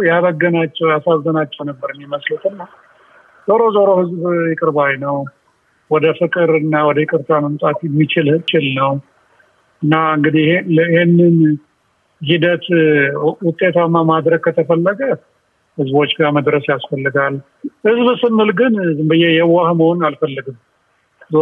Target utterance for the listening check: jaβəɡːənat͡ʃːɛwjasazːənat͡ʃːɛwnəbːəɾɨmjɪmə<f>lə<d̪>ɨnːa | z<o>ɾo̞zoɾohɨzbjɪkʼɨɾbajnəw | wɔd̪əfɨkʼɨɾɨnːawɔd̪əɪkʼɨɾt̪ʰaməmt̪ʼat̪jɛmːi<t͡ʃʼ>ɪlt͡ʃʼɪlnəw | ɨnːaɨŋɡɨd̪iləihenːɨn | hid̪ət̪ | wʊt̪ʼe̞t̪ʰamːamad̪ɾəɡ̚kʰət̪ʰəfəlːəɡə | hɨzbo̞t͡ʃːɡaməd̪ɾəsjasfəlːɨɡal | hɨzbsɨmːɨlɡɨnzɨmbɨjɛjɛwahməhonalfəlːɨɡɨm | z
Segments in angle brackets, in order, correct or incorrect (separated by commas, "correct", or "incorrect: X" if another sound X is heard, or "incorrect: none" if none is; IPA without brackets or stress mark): incorrect: s, incorrect: t̪, correct, incorrect: t͡ʃ